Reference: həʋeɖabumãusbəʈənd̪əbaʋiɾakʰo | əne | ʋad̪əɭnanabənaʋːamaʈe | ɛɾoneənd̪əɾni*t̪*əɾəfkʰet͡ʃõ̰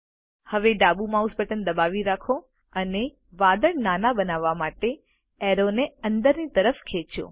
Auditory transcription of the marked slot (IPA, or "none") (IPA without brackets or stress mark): t̪